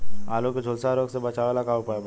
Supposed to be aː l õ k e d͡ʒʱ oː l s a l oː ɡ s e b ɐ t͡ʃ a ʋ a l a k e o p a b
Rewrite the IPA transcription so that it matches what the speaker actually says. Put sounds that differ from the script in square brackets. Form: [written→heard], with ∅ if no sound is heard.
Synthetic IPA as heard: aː l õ k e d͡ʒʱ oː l s a [l→ɾ] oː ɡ s e b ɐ t͡ʃ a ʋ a l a k [e→a] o p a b